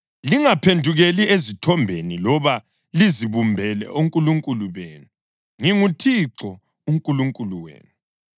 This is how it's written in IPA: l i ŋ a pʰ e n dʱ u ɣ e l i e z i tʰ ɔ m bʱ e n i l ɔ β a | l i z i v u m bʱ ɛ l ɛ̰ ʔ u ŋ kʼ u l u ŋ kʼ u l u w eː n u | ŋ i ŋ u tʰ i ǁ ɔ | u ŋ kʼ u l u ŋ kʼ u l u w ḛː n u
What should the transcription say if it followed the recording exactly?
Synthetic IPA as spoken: l i ŋ a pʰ e n dʱ u ɣ e l i e z i tʰ ɔ m bʱ e n i l ɔ β a | l i z i β u m bʱ ɛ l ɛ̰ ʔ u ŋ kʼ u l u ŋ kʼ u l u β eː n u | ŋ i ŋ u tʰ i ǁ ɔ | u ŋ kʼ u l u ŋ kʼ u l u w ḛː n u